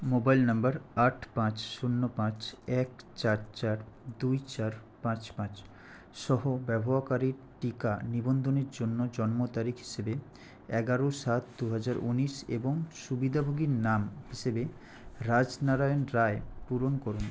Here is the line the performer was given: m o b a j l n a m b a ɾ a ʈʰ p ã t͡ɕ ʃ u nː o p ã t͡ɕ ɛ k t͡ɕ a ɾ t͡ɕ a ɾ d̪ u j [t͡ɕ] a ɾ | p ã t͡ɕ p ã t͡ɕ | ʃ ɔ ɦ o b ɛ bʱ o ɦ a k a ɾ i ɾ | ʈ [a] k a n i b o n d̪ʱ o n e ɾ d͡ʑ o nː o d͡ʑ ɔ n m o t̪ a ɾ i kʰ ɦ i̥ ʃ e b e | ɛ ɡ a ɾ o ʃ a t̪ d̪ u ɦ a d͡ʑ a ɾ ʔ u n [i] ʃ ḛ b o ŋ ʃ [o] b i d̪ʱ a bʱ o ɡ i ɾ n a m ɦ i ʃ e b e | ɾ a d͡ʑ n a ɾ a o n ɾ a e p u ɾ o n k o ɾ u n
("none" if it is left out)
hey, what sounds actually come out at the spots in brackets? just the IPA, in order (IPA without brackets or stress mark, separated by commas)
t͡ɕ, i, i, u